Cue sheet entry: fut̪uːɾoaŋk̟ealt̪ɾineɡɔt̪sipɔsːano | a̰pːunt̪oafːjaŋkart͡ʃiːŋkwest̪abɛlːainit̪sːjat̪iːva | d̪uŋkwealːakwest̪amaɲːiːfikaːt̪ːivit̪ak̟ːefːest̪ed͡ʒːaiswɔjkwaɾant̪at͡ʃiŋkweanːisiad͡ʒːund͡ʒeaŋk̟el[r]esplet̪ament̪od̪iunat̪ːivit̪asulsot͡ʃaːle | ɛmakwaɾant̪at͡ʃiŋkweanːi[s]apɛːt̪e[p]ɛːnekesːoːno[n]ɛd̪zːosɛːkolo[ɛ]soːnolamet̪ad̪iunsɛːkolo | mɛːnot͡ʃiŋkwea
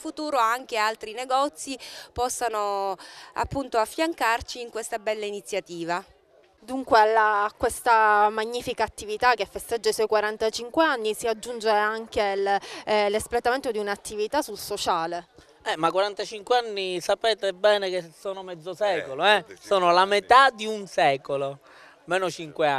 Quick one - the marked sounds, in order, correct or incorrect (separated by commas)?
incorrect, correct, incorrect, incorrect, correct